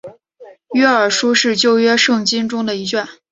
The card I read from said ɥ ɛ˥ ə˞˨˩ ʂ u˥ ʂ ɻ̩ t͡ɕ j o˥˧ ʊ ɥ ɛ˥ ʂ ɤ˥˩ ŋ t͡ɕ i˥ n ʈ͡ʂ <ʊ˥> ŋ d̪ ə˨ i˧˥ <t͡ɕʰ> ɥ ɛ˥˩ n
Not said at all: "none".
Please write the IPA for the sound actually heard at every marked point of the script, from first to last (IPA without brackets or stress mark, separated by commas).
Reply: ʊ˥, t͡ɕ